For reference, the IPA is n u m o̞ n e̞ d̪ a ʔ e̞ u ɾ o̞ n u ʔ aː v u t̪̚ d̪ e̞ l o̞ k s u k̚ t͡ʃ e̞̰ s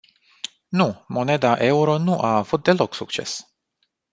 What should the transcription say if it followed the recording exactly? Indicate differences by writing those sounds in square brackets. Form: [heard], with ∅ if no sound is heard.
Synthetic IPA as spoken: n u m o̞ n e̞ d̪ a ʔ e̞ u ɾ o̞ n u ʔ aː v u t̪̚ d̪ e̞ l o̞ k s u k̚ t͡ʃ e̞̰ s